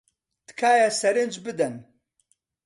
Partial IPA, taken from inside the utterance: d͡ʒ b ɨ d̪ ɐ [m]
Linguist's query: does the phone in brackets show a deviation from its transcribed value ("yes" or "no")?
yes